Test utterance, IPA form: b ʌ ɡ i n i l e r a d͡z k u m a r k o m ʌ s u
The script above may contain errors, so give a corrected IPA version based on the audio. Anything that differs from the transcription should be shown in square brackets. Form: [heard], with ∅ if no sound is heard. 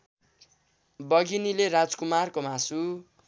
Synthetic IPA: b ʌ ɡ i n i l e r a d͡z k u m a r k o m [a] s u

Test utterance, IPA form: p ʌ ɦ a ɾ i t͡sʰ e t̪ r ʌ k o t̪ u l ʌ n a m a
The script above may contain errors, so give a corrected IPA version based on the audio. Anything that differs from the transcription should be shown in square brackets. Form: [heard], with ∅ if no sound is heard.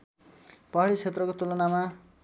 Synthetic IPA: p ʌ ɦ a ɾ i t͡sʰ e t̪ r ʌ k o t̪ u l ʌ n a m a

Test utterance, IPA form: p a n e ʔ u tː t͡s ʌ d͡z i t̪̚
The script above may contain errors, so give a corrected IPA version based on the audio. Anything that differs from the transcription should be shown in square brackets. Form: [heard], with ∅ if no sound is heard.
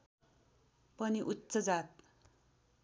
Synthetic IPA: p [ʌ] n [i] ʔ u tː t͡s ʌ d͡z [a] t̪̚

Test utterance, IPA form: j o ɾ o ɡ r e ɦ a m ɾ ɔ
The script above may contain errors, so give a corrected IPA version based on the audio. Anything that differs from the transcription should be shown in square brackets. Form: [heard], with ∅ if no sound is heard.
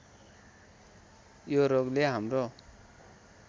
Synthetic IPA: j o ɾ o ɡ [l] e ɦ a m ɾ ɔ

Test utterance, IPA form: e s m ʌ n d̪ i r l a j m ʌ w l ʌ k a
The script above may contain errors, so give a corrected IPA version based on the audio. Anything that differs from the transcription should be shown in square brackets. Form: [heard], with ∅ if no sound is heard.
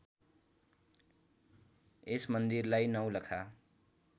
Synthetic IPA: e s m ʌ n d̪ i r l a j [n] ʌ w l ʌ [kʰ] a

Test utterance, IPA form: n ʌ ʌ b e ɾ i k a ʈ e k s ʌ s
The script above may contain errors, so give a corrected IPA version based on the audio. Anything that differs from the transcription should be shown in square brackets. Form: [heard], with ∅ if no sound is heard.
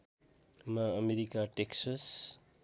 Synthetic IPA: [m] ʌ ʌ [m] e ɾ i k a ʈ e k s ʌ s

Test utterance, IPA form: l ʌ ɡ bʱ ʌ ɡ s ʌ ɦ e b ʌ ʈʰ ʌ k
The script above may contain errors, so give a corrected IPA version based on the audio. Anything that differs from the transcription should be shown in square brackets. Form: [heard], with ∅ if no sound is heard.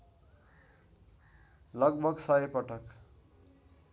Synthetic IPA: l ʌ ɡ bʱ ʌ ɡ s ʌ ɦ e [p] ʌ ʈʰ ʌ k

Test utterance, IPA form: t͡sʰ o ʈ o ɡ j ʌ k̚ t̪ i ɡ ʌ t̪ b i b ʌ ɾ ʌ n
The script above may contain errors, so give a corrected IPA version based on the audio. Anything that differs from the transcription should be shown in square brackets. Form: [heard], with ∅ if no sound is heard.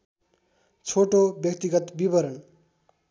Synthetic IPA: t͡sʰ o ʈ o [b] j ʌ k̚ t̪ i ɡ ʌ t̪ b i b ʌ ɾ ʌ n

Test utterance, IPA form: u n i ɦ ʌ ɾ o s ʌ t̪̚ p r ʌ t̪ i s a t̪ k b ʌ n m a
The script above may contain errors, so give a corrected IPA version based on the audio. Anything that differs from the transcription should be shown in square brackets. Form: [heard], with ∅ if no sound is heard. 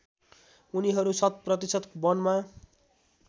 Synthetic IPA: u n i ɦ ʌ ɾ [u] s ʌ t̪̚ p r ʌ t̪ i s [ʌ] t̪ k b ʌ n m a

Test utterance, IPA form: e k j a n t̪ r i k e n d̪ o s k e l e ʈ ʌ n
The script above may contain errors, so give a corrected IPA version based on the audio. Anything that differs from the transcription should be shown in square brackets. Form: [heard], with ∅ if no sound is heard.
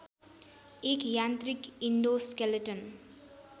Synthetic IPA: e k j a n t̪ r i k [i] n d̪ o s k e l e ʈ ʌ n

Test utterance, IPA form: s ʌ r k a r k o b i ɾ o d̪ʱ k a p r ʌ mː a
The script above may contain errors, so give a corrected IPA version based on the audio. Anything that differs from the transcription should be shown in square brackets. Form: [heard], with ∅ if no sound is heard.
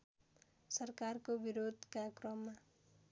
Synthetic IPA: s ʌ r k a r k o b i ɾ o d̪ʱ k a [k] r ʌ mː a

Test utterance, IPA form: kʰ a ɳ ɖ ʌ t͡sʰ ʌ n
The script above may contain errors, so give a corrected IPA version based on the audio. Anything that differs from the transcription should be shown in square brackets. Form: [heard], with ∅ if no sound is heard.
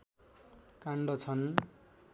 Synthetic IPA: [k] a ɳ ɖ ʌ t͡sʰ ʌ n

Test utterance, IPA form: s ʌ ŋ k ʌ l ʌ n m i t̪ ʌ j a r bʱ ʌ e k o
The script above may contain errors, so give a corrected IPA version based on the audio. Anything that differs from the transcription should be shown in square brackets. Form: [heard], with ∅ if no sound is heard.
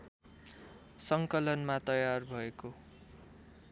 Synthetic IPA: s ʌ ŋ k ʌ l ʌ n m [a] t̪ ʌ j a r bʱ ʌ e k o

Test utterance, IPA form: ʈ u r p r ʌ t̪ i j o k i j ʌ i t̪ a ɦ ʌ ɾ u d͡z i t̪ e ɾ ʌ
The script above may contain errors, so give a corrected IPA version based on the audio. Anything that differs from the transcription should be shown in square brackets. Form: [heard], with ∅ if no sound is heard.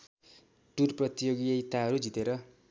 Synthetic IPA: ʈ u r p r ʌ t̪ i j o [ɡ] i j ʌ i t̪ a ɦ ʌ ɾ u d͡z i t̪ e ɾ ʌ

